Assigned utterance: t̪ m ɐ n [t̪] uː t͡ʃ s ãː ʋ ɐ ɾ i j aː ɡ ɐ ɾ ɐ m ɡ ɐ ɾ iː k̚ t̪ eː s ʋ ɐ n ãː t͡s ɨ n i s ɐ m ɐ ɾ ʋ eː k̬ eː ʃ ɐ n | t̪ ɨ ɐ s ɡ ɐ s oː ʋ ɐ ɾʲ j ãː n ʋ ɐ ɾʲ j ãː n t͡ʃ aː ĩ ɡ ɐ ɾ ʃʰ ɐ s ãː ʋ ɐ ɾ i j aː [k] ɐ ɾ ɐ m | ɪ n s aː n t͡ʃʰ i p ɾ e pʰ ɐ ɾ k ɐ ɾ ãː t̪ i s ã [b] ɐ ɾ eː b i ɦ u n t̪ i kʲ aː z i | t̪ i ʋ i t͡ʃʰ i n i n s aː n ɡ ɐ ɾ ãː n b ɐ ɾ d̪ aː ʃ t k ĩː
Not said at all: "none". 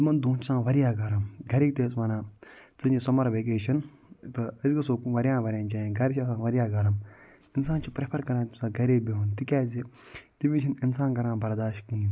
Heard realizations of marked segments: d̪, ɡ, ɡ

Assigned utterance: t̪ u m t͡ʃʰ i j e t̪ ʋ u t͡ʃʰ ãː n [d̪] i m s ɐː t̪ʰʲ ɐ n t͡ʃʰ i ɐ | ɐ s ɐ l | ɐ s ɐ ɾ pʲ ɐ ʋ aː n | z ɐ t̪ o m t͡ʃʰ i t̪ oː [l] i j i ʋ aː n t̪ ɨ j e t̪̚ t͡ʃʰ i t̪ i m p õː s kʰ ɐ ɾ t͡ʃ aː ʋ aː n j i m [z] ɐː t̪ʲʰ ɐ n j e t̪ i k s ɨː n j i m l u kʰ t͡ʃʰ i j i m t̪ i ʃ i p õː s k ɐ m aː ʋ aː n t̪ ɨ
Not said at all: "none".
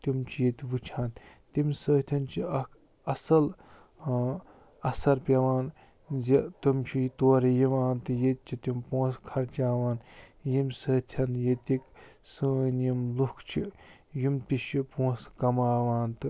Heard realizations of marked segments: t̪, ɾ, s

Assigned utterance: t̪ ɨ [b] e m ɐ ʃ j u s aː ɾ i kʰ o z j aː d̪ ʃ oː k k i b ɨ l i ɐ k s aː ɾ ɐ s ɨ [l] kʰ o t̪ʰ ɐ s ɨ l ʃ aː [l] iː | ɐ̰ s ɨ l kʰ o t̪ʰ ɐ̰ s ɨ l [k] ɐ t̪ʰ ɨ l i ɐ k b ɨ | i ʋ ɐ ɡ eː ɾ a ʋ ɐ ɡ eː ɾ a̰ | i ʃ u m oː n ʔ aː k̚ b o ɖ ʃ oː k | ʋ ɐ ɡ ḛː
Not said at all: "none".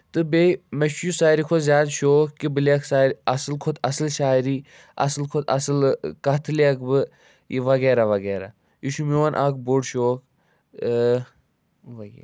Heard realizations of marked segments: b, l, ɾ, k

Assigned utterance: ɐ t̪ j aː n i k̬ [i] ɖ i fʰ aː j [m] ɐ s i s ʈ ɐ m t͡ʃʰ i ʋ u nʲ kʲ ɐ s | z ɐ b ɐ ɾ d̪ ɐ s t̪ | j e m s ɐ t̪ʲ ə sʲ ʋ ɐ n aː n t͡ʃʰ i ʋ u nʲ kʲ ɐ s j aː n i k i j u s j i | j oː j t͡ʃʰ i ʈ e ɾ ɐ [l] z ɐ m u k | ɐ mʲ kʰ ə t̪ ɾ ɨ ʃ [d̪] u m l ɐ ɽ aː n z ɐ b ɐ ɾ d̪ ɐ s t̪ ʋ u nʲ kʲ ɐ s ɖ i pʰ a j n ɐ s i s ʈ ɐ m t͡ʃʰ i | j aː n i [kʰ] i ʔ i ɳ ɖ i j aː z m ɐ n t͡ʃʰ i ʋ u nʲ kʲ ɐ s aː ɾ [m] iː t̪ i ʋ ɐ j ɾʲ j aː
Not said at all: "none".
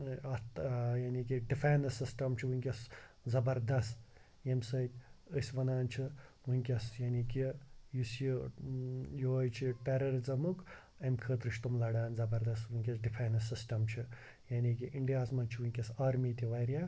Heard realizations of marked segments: i, n, ɾ, t̪, k, m

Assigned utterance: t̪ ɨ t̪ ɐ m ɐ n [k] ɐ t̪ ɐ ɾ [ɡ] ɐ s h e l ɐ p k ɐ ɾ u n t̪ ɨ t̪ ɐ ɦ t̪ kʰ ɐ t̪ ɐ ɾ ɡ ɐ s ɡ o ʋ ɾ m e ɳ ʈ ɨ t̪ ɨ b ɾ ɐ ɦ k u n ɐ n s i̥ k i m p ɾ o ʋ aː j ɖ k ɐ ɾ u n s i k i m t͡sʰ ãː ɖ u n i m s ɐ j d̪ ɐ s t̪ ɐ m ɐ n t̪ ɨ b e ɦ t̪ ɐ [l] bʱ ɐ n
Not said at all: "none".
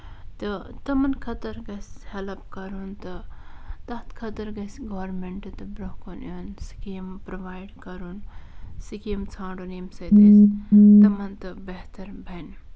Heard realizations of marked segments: kʰ, ɡ, ɾ

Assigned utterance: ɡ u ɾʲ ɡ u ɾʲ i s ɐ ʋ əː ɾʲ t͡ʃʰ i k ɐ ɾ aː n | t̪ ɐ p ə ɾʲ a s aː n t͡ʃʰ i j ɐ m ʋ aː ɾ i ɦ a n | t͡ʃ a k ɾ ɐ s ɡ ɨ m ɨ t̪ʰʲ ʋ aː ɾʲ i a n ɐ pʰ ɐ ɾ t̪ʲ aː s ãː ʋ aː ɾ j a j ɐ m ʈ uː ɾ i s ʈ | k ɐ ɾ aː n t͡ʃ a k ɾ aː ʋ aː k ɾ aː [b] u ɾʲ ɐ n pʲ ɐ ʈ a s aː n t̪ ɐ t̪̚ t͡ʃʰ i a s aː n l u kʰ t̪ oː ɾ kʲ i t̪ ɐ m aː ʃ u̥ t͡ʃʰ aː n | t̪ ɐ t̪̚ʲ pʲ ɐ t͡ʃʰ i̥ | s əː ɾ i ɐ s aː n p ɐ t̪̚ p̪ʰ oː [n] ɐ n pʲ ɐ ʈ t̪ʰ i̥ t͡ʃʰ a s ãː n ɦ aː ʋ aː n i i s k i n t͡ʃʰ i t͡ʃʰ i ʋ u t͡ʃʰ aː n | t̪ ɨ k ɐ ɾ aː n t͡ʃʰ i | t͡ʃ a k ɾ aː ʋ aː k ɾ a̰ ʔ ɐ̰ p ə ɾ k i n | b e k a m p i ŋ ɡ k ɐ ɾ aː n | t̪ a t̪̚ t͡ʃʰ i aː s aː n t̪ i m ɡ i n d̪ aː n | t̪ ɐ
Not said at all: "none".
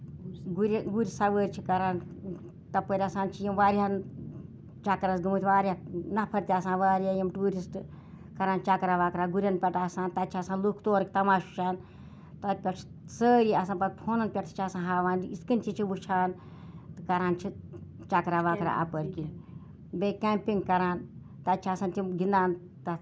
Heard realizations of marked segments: ɡ, n

